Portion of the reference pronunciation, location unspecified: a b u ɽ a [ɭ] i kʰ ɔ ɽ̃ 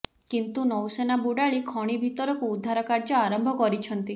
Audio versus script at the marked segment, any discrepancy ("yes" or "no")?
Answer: no